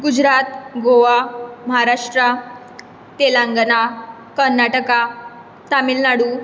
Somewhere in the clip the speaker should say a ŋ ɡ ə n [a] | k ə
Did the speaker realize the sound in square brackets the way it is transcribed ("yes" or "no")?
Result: yes